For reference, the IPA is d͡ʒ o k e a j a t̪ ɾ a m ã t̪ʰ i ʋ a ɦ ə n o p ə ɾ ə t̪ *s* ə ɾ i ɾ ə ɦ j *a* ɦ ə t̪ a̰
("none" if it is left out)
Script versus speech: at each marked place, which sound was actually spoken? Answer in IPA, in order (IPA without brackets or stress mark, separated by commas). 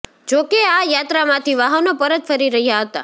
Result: f, a